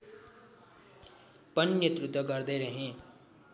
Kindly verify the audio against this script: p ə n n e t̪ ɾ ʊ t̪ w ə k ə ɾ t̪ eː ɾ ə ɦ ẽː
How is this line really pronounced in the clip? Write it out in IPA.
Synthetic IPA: p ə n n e t̪ ɾ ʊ t̪ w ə k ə ɾ d̪ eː ɾ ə ɦ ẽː